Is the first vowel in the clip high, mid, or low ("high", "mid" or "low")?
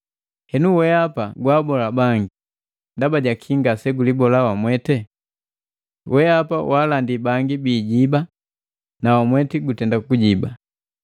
mid